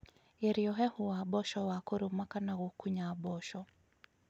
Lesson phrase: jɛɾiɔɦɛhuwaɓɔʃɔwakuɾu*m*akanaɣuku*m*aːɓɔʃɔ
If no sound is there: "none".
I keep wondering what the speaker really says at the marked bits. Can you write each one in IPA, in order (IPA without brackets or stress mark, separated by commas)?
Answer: m, ɲ